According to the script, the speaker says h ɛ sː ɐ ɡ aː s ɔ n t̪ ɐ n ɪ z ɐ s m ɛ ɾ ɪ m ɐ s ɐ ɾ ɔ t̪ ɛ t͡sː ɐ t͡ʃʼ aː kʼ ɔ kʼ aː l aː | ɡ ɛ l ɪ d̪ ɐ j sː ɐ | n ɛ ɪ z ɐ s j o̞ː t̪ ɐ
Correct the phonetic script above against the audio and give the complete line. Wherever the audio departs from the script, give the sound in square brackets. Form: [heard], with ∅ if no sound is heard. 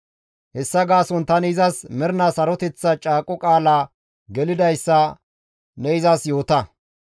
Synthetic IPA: h ɛ sː ɐ ɡ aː s ɔ n t̪ ɐ n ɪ z ɐ s m ɛ ɾ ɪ [n] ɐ s ɐ ɾ ɔ t̪ ɛ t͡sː ɐ t͡ʃʼ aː kʼ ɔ kʼ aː l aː | ɡ ɛ l ɪ d̪ ɐ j sː ɐ | n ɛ ɪ z ɐ s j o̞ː t̪ ɐ